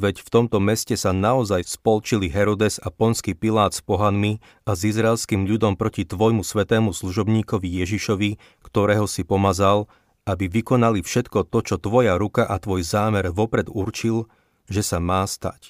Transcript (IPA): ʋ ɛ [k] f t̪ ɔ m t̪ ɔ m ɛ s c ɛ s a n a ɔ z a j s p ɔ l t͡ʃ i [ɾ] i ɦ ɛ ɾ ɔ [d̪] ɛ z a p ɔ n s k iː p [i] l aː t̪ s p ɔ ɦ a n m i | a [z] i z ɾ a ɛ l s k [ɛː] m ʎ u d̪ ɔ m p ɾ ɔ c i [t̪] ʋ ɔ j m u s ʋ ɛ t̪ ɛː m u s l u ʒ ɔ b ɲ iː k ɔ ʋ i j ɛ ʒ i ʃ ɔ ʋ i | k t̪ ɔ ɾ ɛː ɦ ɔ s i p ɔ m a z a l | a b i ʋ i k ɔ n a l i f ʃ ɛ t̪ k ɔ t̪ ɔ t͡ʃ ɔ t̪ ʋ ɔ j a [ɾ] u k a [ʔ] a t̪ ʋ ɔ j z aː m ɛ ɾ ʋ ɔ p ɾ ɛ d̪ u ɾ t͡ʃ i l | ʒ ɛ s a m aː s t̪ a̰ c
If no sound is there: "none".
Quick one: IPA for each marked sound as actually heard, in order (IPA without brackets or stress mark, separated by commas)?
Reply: c, l, d̪, i, z, iː, t̪, ɾ, ʔ